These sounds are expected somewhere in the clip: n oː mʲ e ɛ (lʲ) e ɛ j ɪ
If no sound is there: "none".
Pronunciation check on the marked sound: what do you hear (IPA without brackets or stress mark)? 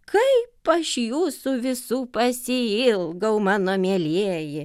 lʲ